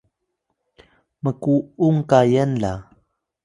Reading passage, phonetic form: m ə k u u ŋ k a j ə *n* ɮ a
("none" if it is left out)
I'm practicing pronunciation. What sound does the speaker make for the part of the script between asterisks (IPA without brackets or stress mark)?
n